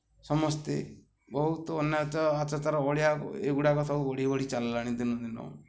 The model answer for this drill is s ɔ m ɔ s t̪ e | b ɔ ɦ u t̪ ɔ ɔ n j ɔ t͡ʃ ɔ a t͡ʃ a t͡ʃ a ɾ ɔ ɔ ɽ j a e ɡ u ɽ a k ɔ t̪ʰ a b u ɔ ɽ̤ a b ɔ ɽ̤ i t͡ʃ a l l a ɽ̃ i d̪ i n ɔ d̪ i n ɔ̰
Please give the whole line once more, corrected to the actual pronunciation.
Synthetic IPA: s ɔ m ɔ s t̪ e | b ɔ ɦ u t̪ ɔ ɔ n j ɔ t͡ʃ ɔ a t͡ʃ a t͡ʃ a ɾ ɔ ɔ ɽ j a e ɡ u ɽ a k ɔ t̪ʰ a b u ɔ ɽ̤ i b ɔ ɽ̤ i t͡ʃ a l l a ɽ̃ i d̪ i n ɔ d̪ i n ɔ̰